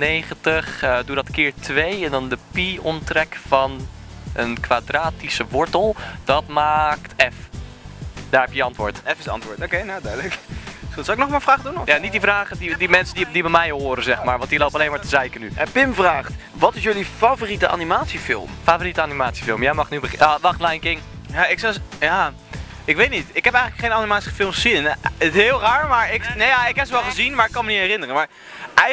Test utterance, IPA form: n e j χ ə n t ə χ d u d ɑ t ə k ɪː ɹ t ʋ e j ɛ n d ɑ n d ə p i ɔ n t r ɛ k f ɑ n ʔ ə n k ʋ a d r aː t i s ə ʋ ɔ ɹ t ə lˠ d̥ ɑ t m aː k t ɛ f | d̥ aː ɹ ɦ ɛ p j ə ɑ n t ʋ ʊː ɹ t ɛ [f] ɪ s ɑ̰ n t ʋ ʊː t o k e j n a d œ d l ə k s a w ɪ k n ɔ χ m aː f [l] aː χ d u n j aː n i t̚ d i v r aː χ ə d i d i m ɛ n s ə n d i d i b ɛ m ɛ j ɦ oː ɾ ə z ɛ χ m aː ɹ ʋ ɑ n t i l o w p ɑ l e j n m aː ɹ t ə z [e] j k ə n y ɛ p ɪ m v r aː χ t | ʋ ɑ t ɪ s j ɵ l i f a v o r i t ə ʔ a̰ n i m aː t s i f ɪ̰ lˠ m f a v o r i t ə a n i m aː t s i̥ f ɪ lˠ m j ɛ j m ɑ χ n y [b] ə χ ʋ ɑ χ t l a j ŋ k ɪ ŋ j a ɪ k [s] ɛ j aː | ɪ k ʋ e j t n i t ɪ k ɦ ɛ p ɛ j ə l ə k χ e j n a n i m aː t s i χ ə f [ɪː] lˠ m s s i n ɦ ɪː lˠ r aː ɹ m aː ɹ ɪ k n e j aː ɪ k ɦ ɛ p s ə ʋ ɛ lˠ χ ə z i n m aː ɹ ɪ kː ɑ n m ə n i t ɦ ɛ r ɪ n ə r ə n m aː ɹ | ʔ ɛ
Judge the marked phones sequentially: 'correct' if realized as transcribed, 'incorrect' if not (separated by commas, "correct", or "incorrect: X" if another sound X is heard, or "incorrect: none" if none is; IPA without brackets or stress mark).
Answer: correct, incorrect: r, incorrect: ɛ, correct, correct, incorrect: ɪ